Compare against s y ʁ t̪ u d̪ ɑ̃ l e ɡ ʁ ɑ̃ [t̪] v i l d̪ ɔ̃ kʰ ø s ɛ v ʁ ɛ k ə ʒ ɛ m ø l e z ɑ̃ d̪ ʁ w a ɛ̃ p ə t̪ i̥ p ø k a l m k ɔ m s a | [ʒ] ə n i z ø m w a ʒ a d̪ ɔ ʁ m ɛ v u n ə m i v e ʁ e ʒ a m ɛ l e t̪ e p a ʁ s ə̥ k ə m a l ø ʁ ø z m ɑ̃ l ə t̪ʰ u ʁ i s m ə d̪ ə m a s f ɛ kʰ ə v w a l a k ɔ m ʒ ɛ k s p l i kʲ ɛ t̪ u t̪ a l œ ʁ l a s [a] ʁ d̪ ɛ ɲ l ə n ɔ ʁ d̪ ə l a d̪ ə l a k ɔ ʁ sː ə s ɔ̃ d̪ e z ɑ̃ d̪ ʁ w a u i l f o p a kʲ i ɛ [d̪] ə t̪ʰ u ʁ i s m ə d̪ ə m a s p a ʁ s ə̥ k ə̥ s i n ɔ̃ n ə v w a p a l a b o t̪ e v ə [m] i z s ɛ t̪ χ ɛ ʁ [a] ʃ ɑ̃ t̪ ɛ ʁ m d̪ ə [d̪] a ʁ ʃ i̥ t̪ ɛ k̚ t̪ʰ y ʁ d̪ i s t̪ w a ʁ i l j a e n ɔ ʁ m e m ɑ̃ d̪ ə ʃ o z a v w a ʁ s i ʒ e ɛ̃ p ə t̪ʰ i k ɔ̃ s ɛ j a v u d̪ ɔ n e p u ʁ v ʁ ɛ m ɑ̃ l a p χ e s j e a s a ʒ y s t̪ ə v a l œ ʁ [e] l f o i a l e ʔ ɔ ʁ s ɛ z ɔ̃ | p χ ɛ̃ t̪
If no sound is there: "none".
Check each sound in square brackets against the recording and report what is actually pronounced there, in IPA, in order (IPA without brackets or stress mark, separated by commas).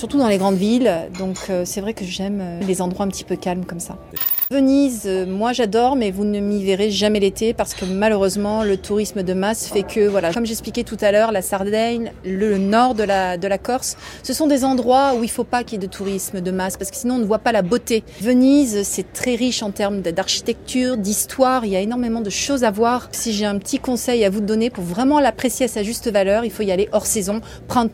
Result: d̪, v, a, d̪, n, i, d̪, i